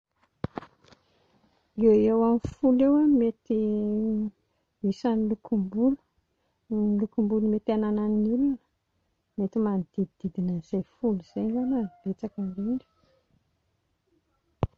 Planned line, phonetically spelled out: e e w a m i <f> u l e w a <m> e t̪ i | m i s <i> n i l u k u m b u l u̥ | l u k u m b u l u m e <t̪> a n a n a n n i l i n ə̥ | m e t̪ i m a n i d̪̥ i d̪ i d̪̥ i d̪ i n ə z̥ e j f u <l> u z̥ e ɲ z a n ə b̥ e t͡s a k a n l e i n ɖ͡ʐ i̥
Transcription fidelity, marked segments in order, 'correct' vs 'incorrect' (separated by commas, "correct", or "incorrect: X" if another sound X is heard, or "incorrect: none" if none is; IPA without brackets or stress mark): correct, correct, incorrect: a, correct, correct